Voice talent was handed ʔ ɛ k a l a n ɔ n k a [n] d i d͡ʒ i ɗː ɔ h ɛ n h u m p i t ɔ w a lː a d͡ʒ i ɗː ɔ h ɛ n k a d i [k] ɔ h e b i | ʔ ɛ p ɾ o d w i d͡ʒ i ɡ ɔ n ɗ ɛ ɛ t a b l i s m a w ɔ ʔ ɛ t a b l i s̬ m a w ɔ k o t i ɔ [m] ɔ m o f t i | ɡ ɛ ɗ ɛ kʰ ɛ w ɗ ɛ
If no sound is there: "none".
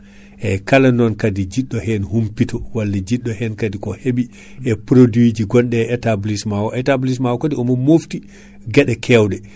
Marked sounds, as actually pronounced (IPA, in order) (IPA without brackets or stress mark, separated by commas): none, k, m